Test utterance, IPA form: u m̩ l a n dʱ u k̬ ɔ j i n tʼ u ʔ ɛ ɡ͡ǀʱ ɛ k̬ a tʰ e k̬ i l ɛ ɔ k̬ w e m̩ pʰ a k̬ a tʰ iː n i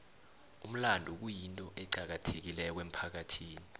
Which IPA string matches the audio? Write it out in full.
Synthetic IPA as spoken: u m̩ l a n dʱ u k̬ u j i n tʼ ɔ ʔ ɛ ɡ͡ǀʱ a k̬ a tʰ e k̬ i l ɛ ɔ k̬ w e m̩ pʰ a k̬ a tʰ iː n i